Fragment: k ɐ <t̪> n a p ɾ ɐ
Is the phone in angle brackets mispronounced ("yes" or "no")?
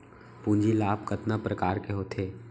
no